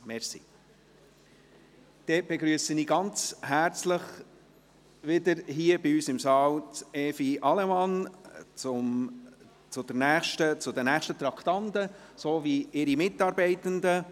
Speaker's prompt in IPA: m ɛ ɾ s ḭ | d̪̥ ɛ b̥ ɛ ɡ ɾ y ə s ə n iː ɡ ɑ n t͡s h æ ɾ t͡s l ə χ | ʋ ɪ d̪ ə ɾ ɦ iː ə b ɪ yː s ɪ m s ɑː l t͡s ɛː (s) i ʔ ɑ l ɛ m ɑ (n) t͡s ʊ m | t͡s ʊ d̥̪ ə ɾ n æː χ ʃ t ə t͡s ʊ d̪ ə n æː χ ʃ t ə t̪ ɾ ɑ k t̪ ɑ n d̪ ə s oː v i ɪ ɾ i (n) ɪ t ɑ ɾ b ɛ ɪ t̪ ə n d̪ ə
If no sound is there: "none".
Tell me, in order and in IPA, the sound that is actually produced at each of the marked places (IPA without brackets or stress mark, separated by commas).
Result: f, n, m